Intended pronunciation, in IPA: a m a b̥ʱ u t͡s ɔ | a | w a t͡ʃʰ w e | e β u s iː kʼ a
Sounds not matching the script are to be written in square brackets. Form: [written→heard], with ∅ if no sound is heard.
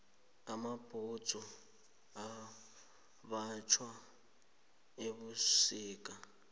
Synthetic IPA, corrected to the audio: a m a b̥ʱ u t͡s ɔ | a | [w→β] a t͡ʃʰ w [e→a] | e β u s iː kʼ a